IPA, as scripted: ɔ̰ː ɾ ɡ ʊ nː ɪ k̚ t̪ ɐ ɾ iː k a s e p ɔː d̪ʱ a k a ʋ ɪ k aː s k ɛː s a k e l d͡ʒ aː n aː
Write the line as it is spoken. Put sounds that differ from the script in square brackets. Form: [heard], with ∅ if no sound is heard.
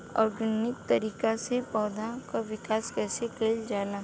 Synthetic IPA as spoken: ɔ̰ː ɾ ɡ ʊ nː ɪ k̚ t̪ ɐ ɾ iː k a s e p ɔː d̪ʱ a k a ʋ ɪ k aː s k ɛː s [e] k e l d͡ʒ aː n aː